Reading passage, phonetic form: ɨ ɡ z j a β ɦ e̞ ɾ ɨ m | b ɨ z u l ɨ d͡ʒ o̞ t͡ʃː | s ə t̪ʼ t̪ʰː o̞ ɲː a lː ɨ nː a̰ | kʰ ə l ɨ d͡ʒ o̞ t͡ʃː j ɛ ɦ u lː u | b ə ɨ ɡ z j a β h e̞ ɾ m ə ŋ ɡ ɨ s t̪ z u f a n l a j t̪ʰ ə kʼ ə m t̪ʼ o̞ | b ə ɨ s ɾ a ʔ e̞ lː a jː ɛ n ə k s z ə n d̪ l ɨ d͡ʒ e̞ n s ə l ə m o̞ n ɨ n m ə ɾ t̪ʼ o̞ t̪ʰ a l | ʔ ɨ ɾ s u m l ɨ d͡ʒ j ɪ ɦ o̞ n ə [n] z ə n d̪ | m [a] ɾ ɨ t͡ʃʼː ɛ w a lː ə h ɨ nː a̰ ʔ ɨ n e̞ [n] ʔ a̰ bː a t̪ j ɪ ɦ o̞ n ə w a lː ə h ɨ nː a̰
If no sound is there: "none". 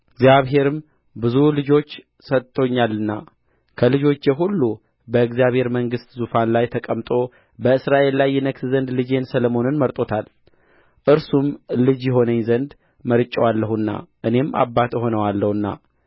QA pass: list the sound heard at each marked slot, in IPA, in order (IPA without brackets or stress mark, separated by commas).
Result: ɲ, ə, m